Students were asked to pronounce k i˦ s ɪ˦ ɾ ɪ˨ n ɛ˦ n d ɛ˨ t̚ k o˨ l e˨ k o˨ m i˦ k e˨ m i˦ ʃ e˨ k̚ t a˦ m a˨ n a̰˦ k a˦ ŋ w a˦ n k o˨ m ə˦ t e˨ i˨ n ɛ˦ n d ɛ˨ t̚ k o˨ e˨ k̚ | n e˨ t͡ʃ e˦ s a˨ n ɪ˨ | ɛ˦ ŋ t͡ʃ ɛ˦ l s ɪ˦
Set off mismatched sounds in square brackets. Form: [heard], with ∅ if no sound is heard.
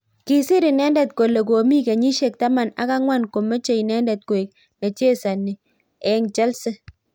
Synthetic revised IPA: k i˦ s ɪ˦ ɾ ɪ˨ n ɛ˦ n d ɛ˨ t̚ k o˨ l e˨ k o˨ m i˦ k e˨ [ɲ] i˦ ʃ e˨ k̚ t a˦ m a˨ n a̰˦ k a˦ ŋ w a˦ n k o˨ m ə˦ [t͡ʃ] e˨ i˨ n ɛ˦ n d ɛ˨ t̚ k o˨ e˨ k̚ | n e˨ t͡ʃ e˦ s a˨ n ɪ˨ | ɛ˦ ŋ t͡ʃ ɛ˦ l s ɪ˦